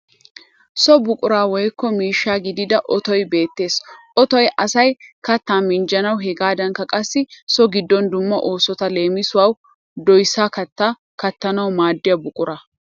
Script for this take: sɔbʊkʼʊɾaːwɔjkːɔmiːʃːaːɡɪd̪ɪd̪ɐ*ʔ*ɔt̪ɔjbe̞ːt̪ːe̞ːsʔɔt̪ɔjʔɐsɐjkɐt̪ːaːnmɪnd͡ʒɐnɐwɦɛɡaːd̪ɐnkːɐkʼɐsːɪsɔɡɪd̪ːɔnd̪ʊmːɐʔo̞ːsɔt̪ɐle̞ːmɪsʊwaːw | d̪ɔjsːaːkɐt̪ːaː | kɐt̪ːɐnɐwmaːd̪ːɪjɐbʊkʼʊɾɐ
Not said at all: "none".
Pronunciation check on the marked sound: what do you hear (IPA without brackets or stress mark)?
ʔ